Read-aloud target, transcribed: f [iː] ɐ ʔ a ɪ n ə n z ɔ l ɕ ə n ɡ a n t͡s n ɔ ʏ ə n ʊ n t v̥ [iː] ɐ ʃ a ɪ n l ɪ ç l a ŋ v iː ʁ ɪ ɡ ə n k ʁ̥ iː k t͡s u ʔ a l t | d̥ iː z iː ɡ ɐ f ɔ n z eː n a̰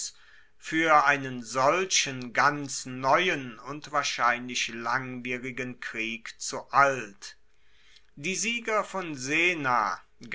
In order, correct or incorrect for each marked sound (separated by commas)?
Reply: incorrect, incorrect